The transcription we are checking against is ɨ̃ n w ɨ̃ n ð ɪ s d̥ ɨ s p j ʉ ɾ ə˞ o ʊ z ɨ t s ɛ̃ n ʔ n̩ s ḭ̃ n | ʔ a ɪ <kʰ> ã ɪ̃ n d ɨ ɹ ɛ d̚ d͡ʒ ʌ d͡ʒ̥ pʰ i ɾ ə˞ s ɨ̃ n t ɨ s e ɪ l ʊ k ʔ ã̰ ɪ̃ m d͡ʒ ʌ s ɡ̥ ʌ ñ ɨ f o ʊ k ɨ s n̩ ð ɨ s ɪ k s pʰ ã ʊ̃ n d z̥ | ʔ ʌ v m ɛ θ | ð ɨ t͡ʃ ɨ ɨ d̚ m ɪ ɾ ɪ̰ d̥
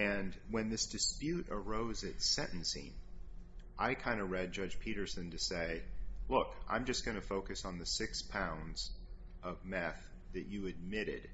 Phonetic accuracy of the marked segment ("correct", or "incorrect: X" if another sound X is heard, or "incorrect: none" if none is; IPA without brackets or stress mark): correct